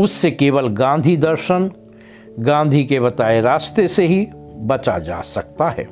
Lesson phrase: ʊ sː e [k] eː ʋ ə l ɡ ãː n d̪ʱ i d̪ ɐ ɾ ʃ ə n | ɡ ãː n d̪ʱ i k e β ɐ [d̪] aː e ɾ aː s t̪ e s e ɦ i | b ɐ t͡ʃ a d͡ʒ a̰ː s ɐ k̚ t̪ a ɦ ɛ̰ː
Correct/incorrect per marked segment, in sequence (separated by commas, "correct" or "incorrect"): correct, incorrect